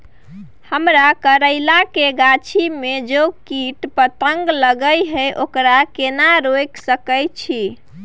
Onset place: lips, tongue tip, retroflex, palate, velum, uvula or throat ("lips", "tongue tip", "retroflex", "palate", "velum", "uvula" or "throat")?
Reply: throat